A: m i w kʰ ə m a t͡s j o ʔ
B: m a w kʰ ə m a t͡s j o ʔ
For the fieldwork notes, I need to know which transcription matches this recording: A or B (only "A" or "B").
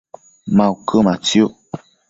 B